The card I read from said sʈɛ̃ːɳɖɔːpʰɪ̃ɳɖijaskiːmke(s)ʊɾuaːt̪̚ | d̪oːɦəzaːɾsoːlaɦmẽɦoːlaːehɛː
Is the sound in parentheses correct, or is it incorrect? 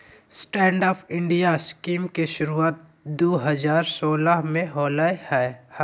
incorrect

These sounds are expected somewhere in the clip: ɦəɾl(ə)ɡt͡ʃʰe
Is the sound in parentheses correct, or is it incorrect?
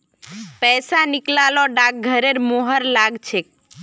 incorrect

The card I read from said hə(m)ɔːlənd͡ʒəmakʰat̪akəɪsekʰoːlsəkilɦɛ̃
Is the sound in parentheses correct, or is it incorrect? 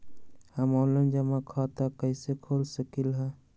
correct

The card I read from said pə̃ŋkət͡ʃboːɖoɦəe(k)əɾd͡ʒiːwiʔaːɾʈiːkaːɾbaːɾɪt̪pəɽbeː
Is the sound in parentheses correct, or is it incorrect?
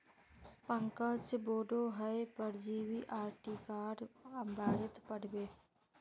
incorrect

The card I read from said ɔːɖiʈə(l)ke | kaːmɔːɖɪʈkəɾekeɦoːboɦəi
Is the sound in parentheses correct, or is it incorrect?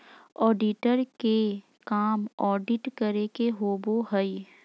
incorrect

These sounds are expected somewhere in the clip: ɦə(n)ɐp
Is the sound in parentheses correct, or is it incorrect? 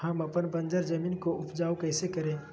incorrect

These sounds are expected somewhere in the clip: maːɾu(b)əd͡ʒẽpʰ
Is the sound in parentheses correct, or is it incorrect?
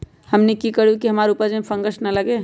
incorrect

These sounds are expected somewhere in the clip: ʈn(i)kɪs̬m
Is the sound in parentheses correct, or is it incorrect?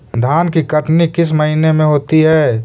correct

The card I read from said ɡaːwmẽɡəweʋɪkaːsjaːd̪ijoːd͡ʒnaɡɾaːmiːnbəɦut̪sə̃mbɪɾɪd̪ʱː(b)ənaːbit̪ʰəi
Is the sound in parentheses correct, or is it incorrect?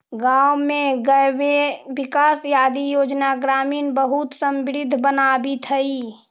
correct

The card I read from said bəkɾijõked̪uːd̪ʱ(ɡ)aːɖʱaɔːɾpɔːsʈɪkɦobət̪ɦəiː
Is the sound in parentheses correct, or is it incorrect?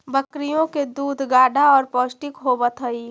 correct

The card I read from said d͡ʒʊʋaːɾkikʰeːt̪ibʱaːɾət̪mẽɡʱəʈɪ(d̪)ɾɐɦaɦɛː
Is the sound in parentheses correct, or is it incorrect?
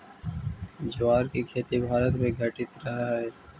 incorrect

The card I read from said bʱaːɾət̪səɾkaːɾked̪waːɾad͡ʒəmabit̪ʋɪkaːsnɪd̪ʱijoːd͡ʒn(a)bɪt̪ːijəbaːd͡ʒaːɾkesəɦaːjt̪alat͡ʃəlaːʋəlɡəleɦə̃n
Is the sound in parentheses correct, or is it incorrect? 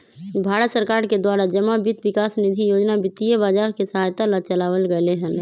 correct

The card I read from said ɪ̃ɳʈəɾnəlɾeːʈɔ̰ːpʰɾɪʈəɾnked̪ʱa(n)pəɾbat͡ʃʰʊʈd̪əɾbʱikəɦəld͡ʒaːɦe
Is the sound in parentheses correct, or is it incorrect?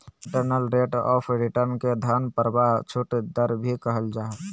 correct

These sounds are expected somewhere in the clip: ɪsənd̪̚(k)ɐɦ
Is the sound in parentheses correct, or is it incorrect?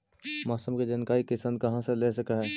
correct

